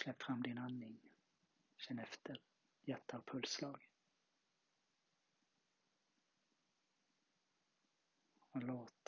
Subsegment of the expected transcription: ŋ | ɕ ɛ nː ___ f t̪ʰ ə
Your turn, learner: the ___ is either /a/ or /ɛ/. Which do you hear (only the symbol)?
ɛ